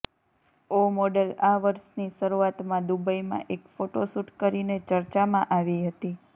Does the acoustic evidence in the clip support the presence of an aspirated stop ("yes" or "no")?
no